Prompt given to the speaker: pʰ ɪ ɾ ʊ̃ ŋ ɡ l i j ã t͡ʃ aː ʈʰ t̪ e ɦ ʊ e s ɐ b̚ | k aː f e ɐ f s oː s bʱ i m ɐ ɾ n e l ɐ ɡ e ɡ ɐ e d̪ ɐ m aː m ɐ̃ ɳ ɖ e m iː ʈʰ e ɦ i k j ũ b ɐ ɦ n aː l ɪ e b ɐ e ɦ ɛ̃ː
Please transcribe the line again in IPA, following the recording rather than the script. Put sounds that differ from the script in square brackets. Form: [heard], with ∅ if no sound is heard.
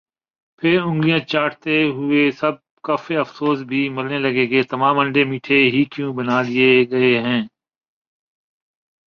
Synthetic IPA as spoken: pʰ ɪ ɾ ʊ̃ ŋ ɡ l i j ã t͡ʃ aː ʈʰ t̪ e ɦ ʊ e s ɐ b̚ | k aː f e ɐ f s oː s bʱ i m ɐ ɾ n e l ɐ ɡ e ɡ ɐ e [t̪] ɐ m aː m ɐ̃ ɳ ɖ e m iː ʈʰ e ɦ i k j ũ b ɐ [∅] n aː l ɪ e [ɡ] ɐ e ɦ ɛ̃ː